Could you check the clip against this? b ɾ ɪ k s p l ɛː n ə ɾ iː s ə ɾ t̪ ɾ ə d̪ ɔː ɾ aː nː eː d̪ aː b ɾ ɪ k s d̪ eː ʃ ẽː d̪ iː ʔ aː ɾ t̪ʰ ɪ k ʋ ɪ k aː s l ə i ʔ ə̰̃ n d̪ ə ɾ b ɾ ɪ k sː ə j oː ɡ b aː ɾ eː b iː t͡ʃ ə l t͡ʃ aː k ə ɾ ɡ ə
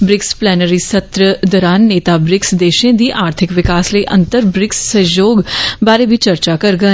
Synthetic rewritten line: b ɾ ɪ k s p l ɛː n ə ɾ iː s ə t̪ ɾ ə d̪ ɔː ɾ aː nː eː t̪ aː b ɾ ɪ k s d̪ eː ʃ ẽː d̪ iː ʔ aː ɾ t̪ʰ ɪ k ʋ ɪ k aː s l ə i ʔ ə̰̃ n t̪ ə ɾ b ɾ ɪ k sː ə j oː ɡ b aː ɾ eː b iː t͡ʃ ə ɾ t͡ʃ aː k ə ɾ ɡ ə

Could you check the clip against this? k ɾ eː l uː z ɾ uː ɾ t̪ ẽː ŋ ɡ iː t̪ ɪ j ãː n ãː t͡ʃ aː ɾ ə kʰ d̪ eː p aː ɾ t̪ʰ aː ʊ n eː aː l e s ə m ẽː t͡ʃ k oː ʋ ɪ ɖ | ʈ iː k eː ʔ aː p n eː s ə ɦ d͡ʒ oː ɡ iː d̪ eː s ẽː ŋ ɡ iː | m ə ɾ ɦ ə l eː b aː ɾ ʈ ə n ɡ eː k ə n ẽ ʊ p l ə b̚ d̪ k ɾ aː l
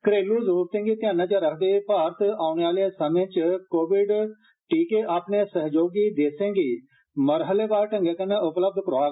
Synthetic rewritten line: k ɾ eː l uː z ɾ uː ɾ t̪ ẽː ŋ ɡ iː t̪ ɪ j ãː n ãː t͡ʃ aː ɾ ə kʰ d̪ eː p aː ɾ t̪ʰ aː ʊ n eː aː l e s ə m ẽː t͡ʃ k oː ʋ ɪ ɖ | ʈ iː k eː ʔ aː p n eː s ə ɦ d͡ʒ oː ɡ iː d̪ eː s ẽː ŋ ɡ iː | m ə ɾ ɦ ə l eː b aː ɾ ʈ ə ŋ ɡ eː k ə n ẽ ʊ p l ə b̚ d̪ k ɾ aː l

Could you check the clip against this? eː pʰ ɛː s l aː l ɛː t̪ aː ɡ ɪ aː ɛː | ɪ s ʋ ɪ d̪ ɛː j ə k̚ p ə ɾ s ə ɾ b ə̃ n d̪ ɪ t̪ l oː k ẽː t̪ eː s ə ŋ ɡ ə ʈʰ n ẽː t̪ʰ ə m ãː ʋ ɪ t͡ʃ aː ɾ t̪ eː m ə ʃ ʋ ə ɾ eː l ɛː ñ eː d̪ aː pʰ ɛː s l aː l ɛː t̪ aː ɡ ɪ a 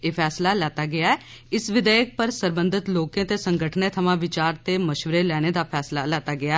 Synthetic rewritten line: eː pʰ ɛː s l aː l ɛː t̪ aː ɡ ɪ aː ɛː | ɪ s ʋ ɪ d̪ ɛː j ə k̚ p ə ɾ s ə ɾ b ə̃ n d̪ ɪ t̪ l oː k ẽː t̪ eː s ə ŋ ɡ ə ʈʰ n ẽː t̪ʰ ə m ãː ʋ ɪ t͡ʃ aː ɾ t̪ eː m ə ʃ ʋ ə ɾ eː l ɛː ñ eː d̪ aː pʰ ɛː s l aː l ɛː t̪ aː ɡ ɪ a

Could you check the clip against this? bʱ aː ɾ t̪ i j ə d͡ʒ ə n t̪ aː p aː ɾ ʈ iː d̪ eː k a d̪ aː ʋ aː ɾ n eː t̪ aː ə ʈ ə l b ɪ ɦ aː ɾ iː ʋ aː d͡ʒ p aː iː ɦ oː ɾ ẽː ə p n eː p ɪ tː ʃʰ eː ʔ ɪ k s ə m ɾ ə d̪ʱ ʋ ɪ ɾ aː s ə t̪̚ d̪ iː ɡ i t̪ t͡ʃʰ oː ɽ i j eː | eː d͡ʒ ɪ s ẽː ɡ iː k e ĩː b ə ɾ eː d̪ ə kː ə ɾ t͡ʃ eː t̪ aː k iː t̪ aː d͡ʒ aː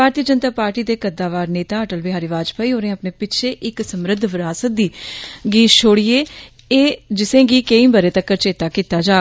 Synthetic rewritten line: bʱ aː ɾ t̪ i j ə d͡ʒ ə n t̪ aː p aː ɾ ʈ iː d̪ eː k ə d̪ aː ʋ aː ɾ n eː t̪ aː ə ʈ ə l b ɪ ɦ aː ɾ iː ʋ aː d͡ʒ p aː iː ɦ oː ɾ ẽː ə p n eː p ɪ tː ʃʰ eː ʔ ɪ k s ə m ɾ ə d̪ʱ ʋ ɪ ɾ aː s ə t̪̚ d̪ iː ɡ iː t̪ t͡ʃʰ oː ɽ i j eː | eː d͡ʒ ɪ s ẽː ɡ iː k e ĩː b ə ɾ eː t̪ ə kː ə ɾ t͡ʃ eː t̪ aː k iː t̪ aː d͡ʒ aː

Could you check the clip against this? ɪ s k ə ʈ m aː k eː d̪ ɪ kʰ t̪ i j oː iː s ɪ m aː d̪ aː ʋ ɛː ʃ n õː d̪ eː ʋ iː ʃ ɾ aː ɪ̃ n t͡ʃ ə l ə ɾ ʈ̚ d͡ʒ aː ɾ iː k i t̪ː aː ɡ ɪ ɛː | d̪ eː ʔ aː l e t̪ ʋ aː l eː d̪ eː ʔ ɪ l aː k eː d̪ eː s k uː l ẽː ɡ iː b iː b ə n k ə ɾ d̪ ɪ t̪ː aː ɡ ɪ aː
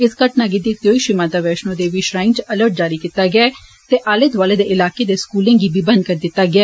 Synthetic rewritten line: ɪ s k ə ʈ n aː ɡ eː d̪ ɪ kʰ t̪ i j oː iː ʃ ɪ m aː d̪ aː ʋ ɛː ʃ n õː d̪ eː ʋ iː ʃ ɾ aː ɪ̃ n t͡ʃ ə l ə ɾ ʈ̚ d͡ʒ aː ɾ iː k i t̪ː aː ɡ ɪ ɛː | t̪ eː ʔ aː l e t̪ ʋ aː l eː d̪ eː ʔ ɪ l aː k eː d̪ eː s k uː l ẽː ɡ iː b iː b ə n k ə ɾ d̪ ɪ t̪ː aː ɡ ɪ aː

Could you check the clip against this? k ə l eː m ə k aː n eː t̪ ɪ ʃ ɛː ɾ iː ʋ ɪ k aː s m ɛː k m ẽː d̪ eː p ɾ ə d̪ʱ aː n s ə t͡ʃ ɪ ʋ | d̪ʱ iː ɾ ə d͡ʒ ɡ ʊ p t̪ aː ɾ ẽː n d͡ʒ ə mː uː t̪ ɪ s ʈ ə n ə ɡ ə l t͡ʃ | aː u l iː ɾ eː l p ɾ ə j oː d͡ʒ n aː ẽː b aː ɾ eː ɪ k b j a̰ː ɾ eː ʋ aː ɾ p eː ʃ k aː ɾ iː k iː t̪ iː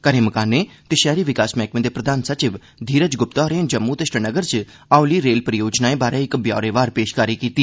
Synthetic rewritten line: k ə ɾ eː m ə k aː n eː t̪ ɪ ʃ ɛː ɾ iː ʋ ɪ k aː s m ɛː k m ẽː d̪ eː p ɾ ə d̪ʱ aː n s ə t͡ʃ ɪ ʋ | d̪ʱ iː ɾ ə d͡ʒ ɡ ʊ p t̪ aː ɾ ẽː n d͡ʒ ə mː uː t̪ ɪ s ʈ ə n ə ɡ ə ɾ t͡ʃ | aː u l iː ɾ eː l p ɾ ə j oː d͡ʒ n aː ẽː b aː ɾ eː ɪ k b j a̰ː ɾ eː ʋ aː ɾ p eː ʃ k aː ɾ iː k iː t̪ iː

